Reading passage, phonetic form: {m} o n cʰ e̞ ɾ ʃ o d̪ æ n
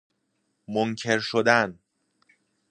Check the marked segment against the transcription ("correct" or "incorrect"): correct